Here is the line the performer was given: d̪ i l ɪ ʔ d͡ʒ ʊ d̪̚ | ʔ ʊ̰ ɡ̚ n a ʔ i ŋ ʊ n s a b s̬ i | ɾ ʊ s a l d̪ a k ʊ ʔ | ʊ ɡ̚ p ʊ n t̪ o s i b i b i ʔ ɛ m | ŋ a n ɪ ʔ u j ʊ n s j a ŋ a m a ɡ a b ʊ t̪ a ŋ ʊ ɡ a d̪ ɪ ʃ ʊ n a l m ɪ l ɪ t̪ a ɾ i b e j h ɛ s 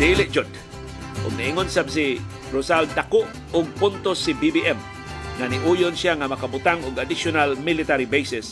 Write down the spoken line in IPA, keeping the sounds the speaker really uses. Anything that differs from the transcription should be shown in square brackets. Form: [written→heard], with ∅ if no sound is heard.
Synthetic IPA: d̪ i l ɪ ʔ d͡ʒ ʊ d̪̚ | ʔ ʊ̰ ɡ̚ n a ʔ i ŋ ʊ n s a b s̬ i | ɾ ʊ s a l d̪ a k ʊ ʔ | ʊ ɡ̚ p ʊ n t̪ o s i b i b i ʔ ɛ m | ŋ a n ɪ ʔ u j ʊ n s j a ŋ a m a [ɡ→k] a b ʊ t̪ a ŋ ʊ ɡ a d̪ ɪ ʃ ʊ n a l m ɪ l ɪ t̪ a ɾ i b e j [h→s] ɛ s